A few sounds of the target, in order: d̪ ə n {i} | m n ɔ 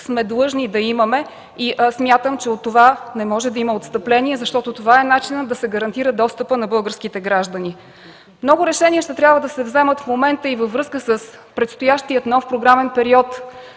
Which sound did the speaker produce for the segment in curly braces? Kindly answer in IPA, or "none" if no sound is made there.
i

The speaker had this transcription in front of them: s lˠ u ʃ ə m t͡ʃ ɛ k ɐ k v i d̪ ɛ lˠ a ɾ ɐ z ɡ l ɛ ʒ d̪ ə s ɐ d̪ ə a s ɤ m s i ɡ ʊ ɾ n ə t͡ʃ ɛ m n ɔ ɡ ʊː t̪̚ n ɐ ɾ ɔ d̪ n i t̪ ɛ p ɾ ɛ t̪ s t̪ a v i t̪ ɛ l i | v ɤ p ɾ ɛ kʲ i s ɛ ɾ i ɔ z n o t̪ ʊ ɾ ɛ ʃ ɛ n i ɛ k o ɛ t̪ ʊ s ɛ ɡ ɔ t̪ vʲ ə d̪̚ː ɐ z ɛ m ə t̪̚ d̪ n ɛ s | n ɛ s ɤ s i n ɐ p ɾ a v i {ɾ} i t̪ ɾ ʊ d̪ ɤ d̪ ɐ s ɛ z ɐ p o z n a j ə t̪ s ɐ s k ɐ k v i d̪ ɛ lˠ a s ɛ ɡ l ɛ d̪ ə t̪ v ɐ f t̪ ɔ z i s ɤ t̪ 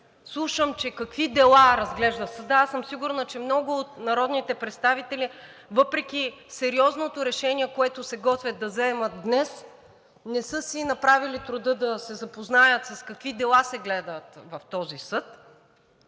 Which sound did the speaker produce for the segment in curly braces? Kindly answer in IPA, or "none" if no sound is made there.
l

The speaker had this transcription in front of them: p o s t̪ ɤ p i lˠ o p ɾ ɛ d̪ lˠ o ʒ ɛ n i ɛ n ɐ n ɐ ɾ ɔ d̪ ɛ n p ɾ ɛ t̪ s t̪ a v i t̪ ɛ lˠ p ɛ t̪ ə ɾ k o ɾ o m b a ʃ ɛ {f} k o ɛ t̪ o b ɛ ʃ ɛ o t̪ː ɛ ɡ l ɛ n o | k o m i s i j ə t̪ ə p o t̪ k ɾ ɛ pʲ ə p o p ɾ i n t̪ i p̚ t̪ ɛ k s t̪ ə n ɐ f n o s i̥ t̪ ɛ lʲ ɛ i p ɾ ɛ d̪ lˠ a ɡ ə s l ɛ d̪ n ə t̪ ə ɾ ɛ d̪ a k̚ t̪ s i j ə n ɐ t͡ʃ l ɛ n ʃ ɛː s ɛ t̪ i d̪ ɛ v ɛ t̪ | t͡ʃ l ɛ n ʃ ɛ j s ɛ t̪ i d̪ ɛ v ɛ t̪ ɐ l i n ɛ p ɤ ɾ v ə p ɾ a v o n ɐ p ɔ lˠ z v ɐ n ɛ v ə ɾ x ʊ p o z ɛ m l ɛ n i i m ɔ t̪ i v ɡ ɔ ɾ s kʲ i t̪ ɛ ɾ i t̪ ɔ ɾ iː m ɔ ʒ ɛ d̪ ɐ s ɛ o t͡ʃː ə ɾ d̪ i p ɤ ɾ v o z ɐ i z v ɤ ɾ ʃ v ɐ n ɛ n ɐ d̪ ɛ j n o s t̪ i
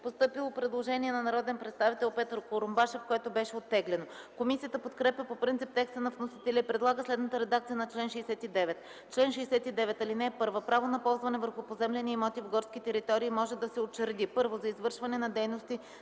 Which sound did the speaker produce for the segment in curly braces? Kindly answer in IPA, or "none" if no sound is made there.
f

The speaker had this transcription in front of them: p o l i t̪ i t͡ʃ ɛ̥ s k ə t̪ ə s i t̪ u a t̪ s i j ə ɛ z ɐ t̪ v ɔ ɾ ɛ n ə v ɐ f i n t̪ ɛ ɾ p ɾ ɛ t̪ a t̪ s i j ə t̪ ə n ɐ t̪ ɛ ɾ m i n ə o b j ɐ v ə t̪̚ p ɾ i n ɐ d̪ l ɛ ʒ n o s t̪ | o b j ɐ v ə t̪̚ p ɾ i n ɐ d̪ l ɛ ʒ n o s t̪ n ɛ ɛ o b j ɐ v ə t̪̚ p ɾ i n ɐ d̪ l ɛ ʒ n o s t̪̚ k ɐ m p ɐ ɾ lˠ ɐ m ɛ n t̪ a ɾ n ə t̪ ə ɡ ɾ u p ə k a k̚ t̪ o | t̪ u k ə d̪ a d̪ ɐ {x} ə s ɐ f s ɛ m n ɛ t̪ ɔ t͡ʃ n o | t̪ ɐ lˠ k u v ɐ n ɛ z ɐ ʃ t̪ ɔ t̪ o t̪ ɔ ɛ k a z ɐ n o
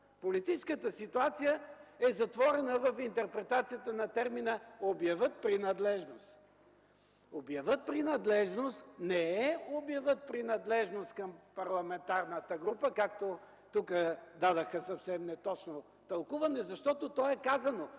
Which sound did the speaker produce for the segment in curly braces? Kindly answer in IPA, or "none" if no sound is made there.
x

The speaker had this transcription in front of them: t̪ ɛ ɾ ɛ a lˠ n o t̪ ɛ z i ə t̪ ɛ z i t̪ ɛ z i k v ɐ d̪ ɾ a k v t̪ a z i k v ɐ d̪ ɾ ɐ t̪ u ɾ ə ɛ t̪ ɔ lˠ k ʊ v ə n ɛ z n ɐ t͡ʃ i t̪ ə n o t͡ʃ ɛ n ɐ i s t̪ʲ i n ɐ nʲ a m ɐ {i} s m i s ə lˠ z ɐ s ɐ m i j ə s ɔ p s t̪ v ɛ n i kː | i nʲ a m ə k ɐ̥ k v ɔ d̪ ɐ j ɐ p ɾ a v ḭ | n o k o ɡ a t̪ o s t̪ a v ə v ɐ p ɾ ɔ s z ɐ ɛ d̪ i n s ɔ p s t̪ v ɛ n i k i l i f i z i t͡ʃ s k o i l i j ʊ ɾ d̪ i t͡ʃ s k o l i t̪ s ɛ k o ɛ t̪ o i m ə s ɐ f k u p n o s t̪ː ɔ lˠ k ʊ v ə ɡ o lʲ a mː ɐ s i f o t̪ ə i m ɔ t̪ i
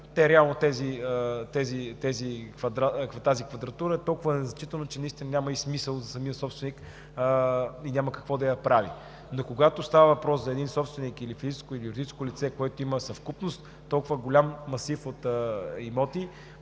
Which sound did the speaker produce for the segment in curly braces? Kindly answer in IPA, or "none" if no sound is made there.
i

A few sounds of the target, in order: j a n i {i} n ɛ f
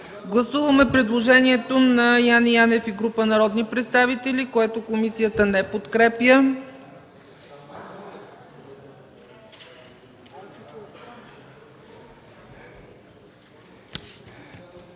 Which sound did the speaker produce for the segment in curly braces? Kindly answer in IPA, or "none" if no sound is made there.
a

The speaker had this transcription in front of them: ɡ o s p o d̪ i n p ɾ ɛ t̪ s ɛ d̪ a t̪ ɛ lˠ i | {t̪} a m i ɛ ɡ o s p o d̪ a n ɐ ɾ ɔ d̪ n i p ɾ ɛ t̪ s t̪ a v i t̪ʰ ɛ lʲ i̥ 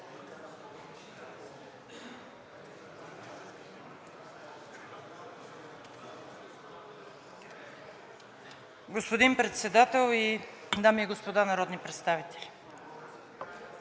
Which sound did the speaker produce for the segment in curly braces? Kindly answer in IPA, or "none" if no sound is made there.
d̪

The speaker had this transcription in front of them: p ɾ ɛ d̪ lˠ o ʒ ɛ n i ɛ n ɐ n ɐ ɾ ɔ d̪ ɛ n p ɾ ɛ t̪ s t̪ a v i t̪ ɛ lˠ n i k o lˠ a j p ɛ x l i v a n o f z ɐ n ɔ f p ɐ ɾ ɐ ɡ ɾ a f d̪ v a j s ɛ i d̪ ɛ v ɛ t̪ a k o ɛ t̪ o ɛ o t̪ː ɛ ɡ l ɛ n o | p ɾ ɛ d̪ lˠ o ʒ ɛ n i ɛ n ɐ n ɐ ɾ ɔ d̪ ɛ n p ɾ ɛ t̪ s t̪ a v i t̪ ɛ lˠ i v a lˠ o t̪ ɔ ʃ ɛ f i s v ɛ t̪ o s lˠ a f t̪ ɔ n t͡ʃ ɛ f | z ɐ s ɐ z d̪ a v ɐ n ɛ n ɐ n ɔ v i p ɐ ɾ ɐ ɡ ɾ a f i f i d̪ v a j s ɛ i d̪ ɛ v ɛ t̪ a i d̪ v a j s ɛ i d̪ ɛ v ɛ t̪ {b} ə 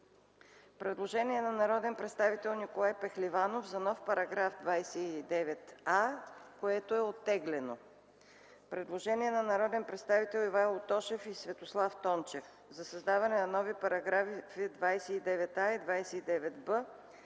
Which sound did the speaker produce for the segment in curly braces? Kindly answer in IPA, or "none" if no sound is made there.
b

